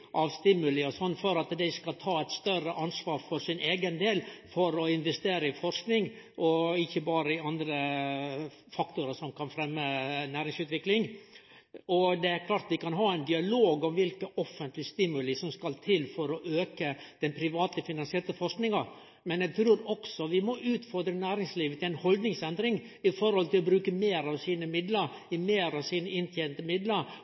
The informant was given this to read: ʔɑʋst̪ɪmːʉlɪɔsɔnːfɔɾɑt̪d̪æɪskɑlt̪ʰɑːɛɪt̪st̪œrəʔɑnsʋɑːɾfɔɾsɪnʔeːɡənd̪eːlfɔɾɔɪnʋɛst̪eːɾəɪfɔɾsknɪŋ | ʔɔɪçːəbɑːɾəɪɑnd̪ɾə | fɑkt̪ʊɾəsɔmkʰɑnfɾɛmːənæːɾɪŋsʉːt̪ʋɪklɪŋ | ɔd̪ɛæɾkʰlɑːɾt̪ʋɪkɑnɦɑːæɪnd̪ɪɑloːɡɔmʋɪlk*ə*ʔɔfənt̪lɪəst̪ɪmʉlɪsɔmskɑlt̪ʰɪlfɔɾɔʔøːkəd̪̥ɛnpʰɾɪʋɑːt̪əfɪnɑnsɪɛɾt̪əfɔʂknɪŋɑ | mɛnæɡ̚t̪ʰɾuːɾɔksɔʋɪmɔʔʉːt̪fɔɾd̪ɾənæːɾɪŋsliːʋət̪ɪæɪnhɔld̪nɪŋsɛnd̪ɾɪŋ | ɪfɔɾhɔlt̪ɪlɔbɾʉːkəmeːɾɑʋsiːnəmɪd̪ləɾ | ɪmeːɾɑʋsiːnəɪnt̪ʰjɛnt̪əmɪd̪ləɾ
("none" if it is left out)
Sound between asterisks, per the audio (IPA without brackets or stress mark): ə